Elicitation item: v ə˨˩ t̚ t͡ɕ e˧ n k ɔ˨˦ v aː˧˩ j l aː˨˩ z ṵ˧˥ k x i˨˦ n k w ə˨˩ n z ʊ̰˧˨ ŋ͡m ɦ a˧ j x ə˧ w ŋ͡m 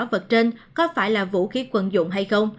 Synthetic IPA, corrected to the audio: v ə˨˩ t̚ t͡ɕ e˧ n k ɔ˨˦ f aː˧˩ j l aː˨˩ v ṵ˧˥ x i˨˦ k w ə˨˩ n z ʊ̰˧˨ ŋ͡m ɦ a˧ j x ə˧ w ŋ͡m